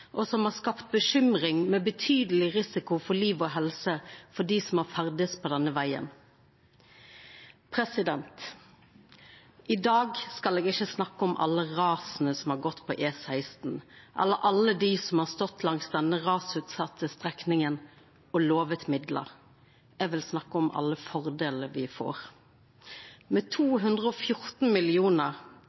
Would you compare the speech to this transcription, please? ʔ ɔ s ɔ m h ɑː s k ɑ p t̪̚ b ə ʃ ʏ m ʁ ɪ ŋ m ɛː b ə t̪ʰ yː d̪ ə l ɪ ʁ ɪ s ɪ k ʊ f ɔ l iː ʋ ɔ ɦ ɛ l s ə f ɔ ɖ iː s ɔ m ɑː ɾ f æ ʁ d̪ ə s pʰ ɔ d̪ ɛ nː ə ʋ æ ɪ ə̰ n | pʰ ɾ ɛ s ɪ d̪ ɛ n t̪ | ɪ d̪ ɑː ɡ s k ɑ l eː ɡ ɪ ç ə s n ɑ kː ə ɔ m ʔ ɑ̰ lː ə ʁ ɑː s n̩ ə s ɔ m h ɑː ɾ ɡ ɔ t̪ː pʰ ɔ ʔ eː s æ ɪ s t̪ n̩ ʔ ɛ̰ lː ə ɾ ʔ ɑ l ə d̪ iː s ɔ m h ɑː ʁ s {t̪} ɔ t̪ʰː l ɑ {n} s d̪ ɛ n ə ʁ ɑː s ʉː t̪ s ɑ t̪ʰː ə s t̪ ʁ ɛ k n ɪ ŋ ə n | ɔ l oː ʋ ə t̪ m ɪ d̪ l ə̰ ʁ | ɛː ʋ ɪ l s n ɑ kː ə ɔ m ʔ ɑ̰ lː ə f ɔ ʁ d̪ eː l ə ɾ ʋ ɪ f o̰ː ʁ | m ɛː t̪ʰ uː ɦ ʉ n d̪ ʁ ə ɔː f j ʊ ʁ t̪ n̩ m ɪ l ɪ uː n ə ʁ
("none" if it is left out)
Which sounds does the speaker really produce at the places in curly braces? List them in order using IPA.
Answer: t̪, ŋ

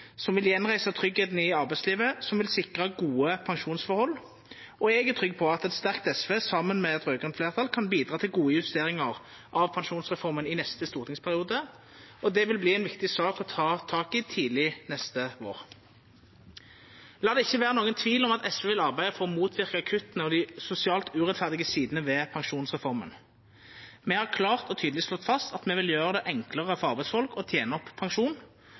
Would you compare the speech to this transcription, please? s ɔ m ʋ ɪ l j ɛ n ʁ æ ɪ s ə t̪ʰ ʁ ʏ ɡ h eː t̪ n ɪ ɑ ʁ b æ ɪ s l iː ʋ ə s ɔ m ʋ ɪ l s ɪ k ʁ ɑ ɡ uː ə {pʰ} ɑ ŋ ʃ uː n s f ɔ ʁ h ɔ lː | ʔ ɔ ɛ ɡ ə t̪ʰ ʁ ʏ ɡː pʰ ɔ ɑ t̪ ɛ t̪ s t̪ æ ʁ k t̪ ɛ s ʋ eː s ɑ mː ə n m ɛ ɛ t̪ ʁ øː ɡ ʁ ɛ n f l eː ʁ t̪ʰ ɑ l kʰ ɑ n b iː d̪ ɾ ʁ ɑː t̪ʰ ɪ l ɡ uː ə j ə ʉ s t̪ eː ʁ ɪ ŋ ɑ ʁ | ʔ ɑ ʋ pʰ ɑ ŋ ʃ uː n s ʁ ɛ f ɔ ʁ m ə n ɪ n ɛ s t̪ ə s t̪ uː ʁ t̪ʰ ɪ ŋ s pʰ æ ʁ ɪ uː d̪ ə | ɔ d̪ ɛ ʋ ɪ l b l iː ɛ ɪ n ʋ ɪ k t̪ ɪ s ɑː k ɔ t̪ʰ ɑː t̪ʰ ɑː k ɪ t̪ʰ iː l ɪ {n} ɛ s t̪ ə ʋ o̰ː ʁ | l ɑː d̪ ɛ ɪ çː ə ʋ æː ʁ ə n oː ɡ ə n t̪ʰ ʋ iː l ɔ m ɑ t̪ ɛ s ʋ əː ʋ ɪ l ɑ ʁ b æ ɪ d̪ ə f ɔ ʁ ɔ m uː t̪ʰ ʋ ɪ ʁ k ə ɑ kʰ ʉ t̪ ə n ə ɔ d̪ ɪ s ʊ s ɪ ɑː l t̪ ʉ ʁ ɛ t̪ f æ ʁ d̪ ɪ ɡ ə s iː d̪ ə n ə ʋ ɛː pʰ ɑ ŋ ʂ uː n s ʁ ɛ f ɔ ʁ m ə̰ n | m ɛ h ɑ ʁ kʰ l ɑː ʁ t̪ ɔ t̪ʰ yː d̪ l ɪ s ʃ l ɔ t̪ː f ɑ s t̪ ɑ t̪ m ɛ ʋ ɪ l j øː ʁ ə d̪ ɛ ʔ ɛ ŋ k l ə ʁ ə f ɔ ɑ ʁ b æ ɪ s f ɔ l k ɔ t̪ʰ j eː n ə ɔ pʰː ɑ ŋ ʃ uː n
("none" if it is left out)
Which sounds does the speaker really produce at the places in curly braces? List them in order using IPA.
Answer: pʰ, n

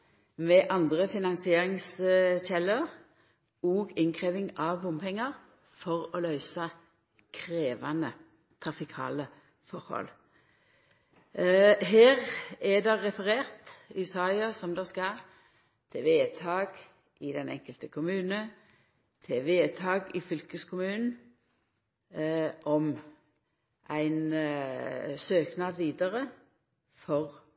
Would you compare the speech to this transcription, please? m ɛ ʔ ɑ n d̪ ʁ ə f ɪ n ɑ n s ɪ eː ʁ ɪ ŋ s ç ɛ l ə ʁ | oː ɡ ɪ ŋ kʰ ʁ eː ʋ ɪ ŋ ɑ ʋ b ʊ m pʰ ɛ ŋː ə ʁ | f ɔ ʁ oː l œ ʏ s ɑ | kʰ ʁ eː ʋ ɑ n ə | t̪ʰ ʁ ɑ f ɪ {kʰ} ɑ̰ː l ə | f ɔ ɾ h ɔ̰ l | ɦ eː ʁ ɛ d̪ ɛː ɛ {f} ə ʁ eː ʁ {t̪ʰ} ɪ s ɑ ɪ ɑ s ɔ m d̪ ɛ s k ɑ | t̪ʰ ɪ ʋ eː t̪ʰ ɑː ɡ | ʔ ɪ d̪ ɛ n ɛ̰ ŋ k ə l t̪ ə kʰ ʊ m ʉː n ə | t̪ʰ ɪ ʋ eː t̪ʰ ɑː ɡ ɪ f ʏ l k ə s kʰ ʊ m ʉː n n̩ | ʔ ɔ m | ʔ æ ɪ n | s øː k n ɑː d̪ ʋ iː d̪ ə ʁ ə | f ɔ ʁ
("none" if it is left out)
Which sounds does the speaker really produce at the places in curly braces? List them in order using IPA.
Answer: kʰ, f, t̪

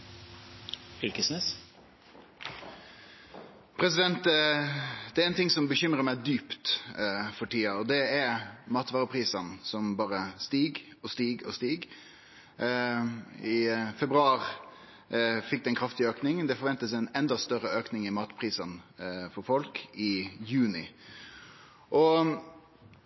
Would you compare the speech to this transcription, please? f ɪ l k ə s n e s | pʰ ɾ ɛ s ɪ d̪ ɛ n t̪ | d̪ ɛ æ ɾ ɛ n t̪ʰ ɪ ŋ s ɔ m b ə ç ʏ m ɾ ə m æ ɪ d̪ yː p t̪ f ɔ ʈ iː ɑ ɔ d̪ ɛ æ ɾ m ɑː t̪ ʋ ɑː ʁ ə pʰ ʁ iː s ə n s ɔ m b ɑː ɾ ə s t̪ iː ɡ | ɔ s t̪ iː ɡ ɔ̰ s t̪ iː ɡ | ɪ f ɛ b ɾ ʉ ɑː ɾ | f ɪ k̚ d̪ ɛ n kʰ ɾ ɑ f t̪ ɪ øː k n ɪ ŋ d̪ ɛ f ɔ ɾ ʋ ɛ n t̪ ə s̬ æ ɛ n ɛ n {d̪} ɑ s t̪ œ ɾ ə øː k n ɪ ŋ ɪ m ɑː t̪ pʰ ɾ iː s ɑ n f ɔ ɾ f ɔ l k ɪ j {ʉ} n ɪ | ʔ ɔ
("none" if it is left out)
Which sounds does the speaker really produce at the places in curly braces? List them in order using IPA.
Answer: d̪, ʉː

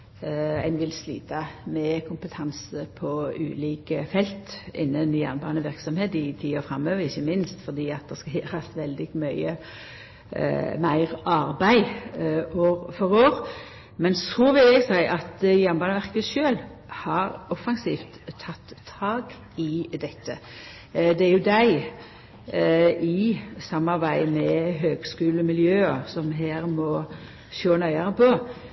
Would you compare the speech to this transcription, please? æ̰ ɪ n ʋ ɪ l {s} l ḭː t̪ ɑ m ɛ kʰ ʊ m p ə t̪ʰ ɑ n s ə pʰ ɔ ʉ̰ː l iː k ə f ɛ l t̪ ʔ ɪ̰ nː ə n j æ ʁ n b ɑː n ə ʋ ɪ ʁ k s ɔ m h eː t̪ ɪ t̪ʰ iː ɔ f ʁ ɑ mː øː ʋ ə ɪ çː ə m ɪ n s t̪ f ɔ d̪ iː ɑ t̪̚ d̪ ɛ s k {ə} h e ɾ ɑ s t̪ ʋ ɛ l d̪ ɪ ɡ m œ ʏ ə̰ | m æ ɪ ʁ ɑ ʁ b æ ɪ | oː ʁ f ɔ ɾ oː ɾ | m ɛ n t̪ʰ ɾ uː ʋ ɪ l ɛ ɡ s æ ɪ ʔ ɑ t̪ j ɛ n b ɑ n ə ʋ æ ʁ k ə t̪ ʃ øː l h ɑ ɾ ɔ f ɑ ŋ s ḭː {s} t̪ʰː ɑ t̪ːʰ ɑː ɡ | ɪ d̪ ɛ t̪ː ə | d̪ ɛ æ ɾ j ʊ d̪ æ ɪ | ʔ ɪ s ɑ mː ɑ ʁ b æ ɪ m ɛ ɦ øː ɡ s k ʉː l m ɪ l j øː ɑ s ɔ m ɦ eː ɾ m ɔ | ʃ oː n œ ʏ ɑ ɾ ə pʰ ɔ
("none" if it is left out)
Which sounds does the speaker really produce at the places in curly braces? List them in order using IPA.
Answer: s, ɑ, f

